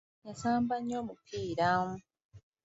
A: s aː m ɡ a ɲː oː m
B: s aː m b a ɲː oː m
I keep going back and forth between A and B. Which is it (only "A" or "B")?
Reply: B